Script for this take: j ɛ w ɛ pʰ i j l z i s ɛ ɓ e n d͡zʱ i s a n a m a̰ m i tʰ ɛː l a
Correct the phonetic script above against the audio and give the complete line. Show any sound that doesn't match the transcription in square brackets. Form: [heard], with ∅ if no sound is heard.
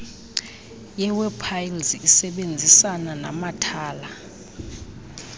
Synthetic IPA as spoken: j ɛ w ɛ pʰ [a] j l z i s ɛ ɓ e n d͡zʱ i s a n a [n] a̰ m [a] tʰ [aː] l a

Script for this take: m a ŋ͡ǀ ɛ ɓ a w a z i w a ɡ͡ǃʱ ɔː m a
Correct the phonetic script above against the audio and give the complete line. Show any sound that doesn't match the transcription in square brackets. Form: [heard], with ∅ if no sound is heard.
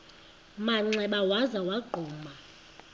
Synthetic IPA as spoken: m a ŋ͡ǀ ɛ ɓ a w a z [a] w a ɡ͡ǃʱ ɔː m a

